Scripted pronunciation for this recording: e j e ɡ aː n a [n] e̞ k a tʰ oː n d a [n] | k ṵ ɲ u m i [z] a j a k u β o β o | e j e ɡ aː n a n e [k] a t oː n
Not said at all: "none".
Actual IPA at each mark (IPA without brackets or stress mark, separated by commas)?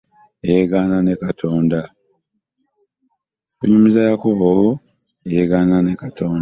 n, none, z, k